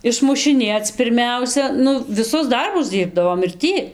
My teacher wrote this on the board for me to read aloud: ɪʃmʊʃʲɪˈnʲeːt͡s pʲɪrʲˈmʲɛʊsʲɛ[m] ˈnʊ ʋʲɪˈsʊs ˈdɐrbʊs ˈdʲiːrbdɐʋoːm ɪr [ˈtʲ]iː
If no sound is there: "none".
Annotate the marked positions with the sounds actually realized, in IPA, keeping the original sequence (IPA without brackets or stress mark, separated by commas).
none, tʲ